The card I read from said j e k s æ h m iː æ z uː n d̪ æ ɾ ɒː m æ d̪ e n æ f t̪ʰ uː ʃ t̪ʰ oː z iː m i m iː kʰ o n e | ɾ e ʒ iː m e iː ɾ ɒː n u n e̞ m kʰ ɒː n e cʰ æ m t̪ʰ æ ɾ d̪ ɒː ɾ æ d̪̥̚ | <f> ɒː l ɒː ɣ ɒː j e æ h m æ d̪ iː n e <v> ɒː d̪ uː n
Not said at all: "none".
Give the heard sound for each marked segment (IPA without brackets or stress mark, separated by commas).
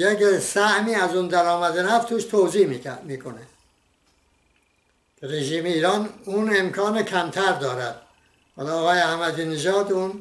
h, ʒ